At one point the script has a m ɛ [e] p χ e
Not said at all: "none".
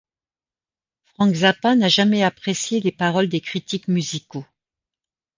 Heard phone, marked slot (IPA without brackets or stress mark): a